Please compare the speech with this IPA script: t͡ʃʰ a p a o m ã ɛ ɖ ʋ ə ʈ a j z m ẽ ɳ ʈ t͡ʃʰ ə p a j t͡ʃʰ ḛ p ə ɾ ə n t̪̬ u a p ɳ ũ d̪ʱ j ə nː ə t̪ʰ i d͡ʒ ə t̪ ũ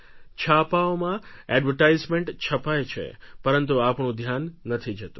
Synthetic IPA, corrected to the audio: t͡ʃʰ a p a o m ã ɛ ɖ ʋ ə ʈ a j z m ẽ ɳ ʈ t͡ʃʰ ə p a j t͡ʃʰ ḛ p ə ɾ ə n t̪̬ u a p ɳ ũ d̪ʱ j a nː ə t̪ʰ i d͡ʒ ə t̪ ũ